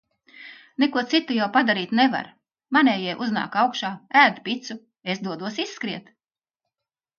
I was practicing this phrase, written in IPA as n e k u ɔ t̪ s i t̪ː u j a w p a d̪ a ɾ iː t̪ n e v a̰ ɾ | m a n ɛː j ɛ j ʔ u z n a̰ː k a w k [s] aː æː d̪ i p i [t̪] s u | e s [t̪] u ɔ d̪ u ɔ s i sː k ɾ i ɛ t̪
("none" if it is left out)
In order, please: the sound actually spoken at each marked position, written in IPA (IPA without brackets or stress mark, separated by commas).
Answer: ʃ, t̪, d̪